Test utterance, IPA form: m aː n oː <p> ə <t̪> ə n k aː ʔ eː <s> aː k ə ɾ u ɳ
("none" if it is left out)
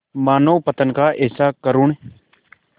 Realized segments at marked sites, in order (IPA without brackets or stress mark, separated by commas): p, t̪, s